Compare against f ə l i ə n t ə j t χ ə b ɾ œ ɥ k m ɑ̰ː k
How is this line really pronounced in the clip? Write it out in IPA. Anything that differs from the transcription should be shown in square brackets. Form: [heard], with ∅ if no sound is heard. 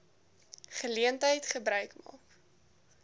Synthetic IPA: [χ] ə l i ə n t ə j t χ ə b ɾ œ ɥ k m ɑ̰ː k